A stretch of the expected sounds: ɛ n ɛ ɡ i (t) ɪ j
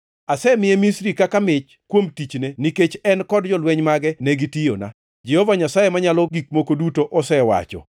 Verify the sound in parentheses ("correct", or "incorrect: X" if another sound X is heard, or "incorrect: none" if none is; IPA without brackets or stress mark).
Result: correct